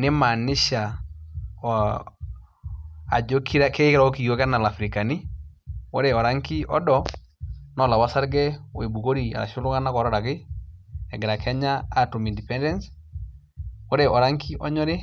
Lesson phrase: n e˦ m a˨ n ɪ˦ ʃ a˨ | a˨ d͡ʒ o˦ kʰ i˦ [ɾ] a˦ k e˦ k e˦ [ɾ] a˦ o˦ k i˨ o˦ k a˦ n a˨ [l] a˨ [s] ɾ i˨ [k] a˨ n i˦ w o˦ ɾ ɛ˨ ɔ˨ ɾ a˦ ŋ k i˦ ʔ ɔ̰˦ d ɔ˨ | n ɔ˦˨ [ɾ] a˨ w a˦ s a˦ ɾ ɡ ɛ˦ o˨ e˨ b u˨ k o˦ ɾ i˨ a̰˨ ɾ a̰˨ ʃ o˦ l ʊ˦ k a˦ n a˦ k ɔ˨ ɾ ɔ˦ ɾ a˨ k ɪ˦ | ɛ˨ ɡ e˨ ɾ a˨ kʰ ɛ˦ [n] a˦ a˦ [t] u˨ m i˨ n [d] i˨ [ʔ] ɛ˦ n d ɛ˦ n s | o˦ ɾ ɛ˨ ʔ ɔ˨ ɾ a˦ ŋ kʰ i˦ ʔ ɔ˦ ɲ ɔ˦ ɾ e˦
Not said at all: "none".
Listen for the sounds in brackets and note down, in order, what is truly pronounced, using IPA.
ɾ, ɾ, l, f, k, l, ɲ, t, d, p

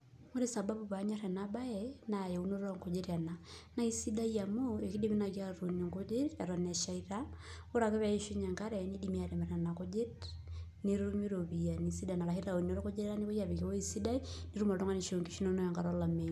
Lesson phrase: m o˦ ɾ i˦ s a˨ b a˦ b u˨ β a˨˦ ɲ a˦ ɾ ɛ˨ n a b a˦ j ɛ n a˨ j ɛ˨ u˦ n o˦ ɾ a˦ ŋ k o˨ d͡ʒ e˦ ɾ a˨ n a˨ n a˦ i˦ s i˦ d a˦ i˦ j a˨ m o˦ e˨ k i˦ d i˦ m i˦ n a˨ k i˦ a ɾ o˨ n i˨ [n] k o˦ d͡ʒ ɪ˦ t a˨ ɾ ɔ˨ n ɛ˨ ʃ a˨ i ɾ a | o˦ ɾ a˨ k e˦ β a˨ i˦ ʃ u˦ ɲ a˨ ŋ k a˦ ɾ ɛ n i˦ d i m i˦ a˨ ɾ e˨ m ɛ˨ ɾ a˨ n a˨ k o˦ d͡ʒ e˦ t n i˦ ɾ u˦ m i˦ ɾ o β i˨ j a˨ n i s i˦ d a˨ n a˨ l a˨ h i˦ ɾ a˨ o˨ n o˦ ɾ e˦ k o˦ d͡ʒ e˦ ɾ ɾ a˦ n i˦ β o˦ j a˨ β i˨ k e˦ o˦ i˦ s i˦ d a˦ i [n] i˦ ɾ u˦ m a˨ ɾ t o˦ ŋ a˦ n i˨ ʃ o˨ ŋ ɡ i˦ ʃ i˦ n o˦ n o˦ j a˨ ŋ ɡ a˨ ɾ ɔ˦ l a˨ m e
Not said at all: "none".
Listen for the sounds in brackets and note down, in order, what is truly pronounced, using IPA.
ŋ, n

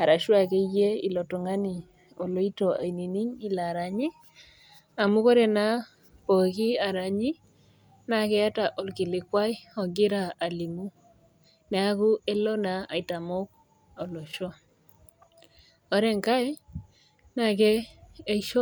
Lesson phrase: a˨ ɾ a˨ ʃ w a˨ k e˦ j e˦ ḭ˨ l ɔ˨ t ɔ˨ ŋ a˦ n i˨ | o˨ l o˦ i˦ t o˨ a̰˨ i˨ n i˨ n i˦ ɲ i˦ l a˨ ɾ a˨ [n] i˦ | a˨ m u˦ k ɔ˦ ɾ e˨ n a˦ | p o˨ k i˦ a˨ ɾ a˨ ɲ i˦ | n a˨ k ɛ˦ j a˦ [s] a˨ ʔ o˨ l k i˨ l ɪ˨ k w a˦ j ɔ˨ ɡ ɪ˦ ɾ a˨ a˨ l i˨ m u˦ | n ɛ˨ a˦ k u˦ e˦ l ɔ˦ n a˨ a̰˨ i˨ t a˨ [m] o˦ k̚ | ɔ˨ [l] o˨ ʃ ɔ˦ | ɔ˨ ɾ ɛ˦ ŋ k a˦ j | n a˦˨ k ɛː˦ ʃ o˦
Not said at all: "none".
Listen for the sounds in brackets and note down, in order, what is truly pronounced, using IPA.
ɲ, t, m, l

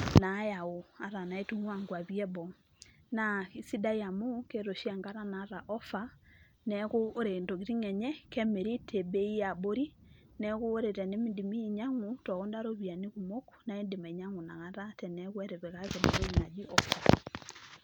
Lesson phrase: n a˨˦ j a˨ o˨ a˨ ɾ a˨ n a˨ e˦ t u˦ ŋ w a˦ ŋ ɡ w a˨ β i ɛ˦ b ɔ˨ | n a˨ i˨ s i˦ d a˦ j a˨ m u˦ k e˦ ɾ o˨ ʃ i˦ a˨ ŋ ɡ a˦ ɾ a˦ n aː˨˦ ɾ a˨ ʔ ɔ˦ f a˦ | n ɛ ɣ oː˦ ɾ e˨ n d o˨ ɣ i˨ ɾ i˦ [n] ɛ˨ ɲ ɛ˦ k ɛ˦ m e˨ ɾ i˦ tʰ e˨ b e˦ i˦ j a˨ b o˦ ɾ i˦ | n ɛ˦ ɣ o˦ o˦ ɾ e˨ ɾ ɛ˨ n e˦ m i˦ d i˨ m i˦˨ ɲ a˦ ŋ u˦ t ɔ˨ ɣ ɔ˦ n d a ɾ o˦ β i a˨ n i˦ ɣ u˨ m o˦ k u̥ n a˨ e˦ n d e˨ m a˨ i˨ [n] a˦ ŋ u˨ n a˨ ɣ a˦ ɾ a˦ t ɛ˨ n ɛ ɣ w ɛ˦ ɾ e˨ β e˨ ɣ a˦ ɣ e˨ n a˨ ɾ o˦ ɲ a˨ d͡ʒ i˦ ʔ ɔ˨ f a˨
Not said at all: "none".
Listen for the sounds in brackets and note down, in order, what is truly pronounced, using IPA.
ŋ, ɲ

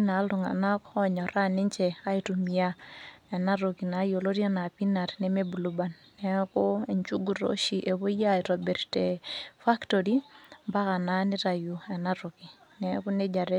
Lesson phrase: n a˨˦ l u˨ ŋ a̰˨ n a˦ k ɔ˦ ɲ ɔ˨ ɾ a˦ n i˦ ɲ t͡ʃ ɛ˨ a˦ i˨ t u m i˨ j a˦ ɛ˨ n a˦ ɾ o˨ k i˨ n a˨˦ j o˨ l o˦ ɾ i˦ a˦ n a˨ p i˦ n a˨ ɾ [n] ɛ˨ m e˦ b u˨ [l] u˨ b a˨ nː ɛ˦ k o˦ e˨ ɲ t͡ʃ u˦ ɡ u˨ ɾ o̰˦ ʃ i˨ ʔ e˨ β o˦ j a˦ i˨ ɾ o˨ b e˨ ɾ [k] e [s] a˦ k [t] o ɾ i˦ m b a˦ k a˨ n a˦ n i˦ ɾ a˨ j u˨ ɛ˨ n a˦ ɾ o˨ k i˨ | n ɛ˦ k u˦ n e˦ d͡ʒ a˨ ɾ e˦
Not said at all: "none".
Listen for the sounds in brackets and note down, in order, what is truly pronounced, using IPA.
n, l, t, f, t

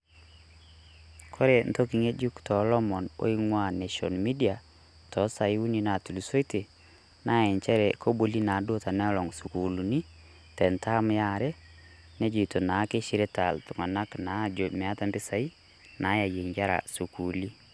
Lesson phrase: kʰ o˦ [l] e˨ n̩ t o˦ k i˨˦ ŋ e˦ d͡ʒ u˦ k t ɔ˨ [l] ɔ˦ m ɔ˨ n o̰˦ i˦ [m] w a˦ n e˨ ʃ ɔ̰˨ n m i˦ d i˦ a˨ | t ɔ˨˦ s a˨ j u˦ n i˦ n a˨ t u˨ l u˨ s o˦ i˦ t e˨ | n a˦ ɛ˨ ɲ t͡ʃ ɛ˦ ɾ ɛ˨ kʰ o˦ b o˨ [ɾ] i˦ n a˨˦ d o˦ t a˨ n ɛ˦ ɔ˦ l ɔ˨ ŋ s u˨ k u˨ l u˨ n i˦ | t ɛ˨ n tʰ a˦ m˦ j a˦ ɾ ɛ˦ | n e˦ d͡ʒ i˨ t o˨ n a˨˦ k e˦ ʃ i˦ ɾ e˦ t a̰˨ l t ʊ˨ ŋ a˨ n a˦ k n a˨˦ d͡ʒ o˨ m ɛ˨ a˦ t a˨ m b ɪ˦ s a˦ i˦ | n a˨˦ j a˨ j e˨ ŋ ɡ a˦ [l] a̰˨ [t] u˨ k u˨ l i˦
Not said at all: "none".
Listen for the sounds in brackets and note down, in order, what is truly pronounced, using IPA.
ɾ, l, ŋ, l, ɾ, s

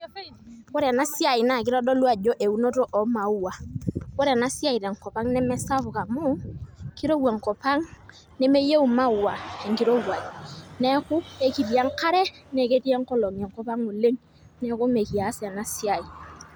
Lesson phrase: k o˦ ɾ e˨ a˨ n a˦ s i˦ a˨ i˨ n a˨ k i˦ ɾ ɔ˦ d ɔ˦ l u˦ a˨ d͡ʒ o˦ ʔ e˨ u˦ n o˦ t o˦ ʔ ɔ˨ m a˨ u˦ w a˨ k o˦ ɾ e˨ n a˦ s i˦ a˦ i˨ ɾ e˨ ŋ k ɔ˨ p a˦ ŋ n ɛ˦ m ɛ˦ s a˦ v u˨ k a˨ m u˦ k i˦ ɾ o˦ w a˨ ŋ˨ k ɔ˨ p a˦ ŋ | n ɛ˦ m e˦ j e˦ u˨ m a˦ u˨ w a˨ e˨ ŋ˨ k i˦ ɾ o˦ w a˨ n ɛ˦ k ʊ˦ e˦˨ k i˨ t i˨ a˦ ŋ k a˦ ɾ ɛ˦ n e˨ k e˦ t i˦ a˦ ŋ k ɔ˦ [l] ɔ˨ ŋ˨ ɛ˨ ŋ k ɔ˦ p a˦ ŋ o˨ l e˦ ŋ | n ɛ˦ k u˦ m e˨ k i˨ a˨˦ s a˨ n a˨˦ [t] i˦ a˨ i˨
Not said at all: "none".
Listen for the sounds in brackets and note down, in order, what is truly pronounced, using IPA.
l, s

